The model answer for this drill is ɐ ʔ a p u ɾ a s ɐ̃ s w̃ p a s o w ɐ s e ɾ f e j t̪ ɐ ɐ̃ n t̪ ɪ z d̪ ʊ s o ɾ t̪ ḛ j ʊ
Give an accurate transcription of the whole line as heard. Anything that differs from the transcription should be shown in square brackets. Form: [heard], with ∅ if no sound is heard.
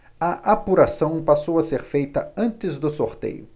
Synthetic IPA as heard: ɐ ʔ a p u ɾ a s ɐ̃ [∅] w̃ p a s o w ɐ s e ɾ f e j t̪ ɐ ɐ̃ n t̪ ɪ z d̪ ʊ s o ɾ t̪ ḛ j ʊ

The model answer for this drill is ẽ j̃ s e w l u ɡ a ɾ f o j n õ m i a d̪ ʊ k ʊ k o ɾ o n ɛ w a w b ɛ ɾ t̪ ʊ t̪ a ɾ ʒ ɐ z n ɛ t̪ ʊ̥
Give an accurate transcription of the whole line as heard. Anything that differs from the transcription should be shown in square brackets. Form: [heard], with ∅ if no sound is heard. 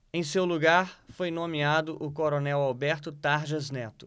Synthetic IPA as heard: ẽ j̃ s e w l u ɡ a ɾ f o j n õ m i a d̪ ʊ [ʔ] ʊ k o ɾ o n ɛ w a w b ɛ ɾ t̪ ʊ t̪ a ɾ ʒ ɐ z n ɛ t̪ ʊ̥

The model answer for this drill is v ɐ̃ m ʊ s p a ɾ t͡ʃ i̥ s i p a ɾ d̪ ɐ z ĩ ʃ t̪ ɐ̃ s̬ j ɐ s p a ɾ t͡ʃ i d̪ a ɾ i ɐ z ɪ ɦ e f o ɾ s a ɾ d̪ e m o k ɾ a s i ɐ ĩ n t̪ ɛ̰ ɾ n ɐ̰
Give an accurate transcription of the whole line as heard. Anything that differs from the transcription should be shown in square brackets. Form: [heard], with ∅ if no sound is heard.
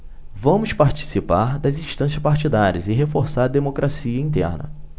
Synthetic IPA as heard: v ɐ̃ m ʊ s p a ɾ t͡ʃ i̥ s i p a ɾ d̪ ɐ z ĩ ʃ t̪ ɐ̃ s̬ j ɐ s p a ɾ t͡ʃ i d̪ a ɾ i ɐ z ɪ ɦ e f o ɾ s a ɾ d̪ e m o k ɾ a s i ɐ ĩ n t̪ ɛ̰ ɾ n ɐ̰

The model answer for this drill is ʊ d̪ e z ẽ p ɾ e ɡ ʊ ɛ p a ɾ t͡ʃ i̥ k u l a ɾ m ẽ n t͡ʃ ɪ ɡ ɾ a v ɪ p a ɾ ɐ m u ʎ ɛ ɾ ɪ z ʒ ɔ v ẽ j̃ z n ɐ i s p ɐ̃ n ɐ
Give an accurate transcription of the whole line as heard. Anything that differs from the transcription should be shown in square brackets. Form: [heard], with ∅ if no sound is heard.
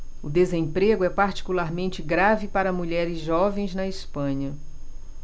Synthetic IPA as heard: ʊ d̪ e z ẽ p ɾ e ɡ ʊ ɛ p a ɾ t͡ʃ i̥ k u l a ɾ m ẽ n t͡ʃ ɪ ɡ ɾ a v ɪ p a ɾ ɐ m u ʎ ɛ ɾ ɪ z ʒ ɔ v ẽ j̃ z n ɐ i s p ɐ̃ [ɲ] ɐ

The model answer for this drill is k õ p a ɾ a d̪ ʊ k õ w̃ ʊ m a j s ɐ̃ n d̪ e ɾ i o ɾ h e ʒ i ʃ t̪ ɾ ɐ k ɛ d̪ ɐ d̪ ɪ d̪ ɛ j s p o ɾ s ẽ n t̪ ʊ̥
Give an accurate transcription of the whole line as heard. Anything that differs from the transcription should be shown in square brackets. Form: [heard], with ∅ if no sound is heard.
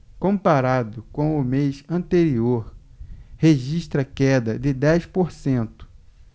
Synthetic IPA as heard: k õ p a ɾ a d̪ ʊ k õ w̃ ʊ m [e] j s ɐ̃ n [t̪] e ɾ i o ɾ h e ʒ i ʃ t̪ ɾ ɐ k ɛ d̪ ɐ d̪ ɪ d̪ ɛ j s p o ɾ s ẽ n t̪ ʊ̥

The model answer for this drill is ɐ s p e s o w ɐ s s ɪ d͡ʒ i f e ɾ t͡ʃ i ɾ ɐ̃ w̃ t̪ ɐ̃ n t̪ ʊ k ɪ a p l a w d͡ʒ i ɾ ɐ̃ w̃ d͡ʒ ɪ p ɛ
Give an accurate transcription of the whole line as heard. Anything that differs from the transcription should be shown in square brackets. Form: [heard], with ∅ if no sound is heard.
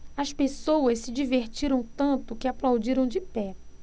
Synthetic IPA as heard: ɐ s p e s o w ɐ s s ɪ d͡ʒ i [v] e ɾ t͡ʃ i ɾ ɐ̃ w̃ t̪ ɐ̃ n t̪ ʊ k ɪ a p l a w d͡ʒ i ɾ ɐ̃ w̃ d͡ʒ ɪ p ɛ

